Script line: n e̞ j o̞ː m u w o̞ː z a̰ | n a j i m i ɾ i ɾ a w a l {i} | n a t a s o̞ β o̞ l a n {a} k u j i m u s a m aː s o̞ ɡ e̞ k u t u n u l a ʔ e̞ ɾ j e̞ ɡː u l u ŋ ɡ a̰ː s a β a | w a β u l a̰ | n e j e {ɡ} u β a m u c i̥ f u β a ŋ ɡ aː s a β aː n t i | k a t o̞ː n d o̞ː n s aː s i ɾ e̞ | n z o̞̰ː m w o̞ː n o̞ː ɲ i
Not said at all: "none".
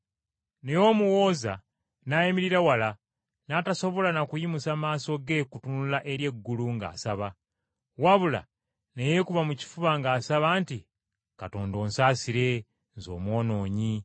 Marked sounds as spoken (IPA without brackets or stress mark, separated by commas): a, a, k